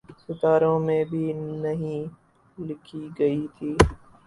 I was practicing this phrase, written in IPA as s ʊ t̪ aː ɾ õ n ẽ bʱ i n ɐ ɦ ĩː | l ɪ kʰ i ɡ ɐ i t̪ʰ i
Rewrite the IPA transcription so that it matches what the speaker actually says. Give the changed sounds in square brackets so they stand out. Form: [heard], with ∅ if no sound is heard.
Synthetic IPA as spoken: s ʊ t̪ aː ɾ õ [m] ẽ bʱ i n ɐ ɦ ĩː | l ɪ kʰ i ɡ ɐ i t̪ʰ [iː]